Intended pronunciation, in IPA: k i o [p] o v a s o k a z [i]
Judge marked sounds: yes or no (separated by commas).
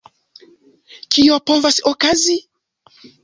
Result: yes, yes